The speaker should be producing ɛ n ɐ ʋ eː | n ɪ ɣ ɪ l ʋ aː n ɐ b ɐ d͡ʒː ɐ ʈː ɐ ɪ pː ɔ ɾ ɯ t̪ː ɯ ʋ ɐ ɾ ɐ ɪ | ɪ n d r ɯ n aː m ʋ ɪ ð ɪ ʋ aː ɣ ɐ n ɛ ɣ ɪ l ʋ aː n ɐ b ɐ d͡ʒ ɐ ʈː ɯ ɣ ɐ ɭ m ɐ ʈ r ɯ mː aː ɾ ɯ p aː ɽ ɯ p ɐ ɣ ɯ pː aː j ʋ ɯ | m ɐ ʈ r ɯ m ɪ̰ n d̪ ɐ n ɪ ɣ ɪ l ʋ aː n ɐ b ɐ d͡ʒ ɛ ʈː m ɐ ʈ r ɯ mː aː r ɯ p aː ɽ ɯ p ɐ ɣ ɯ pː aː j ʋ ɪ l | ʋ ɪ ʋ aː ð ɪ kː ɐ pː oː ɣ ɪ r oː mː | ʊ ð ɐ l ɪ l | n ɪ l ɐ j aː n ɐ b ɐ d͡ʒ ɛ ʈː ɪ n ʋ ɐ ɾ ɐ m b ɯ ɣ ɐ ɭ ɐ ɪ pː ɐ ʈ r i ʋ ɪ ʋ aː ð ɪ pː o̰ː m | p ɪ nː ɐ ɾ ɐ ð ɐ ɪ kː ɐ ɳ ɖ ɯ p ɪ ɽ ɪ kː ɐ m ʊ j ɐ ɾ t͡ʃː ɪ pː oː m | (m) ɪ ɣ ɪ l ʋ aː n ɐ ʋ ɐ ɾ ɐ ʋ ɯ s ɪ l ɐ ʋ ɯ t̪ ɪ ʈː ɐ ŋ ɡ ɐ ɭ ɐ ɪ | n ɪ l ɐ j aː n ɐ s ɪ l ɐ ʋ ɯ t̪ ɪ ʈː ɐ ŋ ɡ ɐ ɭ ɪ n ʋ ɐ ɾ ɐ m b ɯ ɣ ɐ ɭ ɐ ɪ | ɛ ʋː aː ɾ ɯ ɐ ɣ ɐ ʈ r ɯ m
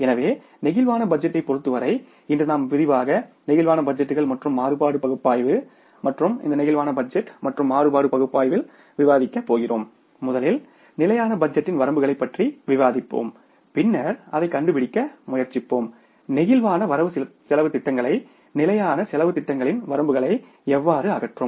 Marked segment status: incorrect: n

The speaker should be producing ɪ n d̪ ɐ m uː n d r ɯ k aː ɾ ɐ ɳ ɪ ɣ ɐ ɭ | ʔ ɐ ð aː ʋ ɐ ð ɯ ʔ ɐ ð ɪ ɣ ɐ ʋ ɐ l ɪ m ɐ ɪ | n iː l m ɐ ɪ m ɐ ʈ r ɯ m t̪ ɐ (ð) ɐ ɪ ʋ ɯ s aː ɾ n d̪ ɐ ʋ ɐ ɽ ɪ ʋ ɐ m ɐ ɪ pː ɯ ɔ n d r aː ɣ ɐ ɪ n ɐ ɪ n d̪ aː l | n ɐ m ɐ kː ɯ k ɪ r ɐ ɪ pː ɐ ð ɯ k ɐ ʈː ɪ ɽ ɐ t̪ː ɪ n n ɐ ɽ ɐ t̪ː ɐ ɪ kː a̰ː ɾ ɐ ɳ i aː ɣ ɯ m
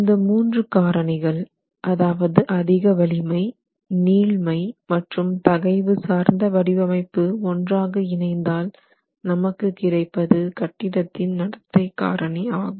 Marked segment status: incorrect: ɣ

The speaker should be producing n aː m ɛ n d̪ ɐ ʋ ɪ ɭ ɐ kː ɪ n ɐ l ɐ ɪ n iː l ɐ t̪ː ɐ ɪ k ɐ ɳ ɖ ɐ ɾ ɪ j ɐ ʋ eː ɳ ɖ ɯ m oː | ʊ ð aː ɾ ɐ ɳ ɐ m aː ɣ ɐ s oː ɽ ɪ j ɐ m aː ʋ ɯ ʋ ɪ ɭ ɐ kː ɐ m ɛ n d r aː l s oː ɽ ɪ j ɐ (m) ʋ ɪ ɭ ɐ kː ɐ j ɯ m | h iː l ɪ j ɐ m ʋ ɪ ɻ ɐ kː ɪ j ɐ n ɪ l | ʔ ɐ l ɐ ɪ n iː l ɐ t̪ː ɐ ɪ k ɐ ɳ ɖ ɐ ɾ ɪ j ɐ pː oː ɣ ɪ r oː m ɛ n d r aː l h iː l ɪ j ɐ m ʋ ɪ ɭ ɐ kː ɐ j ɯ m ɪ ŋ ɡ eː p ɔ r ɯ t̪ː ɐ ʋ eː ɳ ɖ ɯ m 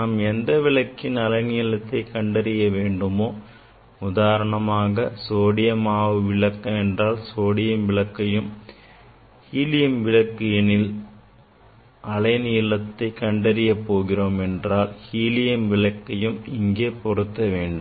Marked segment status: correct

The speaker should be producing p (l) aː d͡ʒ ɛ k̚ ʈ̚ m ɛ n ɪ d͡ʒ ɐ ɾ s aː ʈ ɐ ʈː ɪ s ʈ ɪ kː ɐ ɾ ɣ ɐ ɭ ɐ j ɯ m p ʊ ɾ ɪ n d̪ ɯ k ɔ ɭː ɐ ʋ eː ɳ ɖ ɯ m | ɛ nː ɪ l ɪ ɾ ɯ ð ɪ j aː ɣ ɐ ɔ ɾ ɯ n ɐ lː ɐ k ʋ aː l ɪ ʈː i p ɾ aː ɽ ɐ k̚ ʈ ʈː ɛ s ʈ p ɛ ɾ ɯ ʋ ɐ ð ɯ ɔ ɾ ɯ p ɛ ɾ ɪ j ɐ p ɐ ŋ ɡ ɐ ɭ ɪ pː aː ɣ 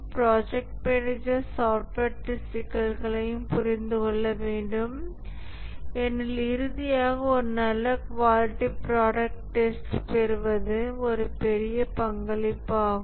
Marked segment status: incorrect: ɾ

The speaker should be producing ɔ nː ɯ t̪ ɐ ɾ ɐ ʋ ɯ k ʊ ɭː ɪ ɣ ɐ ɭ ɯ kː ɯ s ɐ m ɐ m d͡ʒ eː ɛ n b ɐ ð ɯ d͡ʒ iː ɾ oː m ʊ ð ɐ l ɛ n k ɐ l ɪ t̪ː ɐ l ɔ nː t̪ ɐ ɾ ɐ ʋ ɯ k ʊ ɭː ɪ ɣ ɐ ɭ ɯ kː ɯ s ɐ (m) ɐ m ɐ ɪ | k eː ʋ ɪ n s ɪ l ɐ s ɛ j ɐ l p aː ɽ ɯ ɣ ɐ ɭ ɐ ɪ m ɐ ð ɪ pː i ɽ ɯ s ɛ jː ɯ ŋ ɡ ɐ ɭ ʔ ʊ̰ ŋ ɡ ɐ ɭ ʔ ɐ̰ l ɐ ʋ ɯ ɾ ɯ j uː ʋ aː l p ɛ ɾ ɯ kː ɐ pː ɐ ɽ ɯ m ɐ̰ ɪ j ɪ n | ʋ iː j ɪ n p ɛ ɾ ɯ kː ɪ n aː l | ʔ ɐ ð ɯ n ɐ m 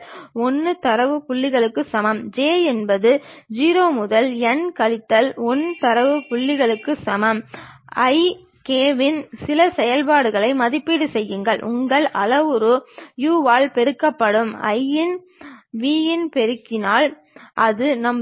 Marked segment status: correct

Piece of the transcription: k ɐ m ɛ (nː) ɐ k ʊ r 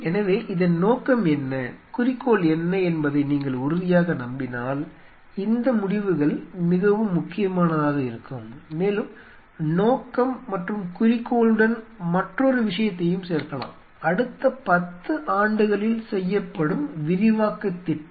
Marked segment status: correct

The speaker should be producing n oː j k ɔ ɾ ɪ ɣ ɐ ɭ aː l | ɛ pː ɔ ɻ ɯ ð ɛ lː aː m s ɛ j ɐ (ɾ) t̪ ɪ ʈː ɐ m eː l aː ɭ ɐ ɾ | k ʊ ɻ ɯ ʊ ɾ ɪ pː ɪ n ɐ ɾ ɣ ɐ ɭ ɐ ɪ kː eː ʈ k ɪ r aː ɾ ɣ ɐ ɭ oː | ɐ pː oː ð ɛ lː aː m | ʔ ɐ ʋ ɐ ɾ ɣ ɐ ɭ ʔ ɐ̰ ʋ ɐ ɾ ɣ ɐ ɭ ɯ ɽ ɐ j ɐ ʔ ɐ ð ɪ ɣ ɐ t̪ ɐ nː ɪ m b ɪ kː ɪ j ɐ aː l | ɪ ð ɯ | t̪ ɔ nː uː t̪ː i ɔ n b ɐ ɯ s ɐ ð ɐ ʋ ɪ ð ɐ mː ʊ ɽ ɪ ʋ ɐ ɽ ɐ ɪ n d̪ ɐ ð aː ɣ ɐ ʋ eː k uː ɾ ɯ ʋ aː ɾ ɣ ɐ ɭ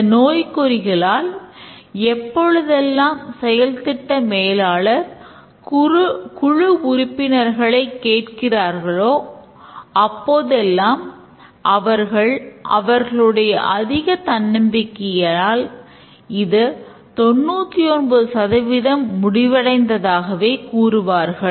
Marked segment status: incorrect: l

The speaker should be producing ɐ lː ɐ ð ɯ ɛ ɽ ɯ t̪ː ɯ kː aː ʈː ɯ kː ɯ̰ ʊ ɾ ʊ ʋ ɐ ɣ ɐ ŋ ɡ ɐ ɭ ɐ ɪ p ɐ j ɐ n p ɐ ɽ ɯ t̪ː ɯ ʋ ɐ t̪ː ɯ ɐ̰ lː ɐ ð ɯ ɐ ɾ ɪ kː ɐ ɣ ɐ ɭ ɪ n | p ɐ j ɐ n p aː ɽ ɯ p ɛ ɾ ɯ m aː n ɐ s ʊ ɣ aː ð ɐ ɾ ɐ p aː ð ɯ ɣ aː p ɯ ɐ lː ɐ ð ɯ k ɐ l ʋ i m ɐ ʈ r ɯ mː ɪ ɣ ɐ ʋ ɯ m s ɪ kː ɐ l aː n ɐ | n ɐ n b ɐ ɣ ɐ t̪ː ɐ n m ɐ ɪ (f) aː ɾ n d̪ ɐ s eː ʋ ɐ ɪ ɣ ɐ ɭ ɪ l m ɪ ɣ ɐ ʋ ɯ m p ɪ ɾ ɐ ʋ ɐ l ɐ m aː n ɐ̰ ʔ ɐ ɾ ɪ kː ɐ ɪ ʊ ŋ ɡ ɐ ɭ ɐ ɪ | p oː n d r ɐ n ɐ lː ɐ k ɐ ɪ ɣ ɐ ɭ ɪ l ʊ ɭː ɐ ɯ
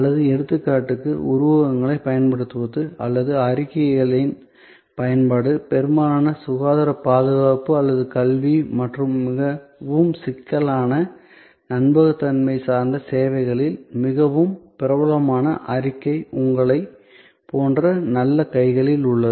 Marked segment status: incorrect: s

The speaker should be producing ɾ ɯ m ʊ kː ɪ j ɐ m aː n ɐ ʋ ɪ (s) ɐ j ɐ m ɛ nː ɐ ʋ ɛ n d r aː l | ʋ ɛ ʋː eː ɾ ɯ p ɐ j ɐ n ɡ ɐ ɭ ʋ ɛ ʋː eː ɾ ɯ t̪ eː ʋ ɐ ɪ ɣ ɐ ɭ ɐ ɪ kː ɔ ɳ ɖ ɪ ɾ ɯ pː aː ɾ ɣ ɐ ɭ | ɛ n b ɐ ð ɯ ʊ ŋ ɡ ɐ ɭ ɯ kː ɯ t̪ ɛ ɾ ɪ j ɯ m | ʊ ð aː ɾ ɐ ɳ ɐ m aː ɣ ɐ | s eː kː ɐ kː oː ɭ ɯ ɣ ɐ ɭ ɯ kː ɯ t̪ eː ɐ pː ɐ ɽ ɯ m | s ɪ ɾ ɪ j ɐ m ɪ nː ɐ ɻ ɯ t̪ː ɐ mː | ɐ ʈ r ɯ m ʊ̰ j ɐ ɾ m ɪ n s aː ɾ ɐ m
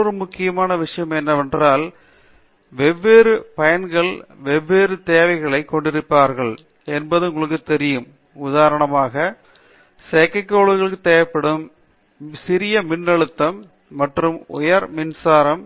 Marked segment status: incorrect: ʂ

